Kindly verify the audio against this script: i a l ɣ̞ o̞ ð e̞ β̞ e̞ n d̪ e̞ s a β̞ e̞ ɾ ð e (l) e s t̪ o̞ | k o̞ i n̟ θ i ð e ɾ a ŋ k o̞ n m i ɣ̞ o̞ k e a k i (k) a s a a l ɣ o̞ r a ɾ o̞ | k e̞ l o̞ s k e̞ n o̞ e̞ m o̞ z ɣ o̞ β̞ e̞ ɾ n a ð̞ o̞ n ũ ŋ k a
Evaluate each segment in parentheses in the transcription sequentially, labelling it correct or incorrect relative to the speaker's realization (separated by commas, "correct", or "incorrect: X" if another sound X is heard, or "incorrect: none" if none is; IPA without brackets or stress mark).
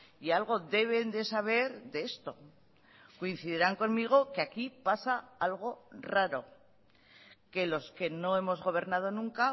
incorrect: none, incorrect: p